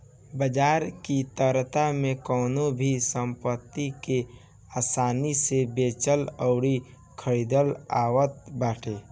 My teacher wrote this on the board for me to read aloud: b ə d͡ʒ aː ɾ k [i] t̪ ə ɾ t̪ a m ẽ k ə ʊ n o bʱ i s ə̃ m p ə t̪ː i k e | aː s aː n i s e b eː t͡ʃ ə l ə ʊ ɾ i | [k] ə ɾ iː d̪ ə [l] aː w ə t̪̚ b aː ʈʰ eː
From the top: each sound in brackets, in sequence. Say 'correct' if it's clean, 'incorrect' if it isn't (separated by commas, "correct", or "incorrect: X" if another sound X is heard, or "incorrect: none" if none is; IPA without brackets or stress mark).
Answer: correct, incorrect: kʰ, correct